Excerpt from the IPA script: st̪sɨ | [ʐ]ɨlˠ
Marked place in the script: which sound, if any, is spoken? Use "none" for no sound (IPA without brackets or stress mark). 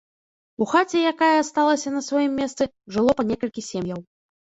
ʐ